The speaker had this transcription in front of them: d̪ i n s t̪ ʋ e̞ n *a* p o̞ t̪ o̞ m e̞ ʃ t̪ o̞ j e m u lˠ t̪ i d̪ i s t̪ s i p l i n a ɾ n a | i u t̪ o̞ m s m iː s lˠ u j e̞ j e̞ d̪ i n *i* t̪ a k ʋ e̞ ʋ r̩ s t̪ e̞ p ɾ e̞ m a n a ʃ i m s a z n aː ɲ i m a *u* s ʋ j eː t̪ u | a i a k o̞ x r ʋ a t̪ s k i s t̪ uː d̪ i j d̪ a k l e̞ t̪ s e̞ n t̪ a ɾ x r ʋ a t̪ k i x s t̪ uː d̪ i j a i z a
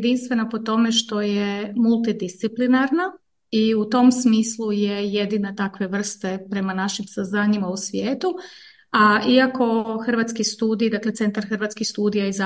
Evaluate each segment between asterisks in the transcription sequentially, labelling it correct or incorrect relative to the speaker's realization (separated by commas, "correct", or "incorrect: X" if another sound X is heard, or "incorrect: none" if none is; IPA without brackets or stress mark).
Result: correct, incorrect: a, correct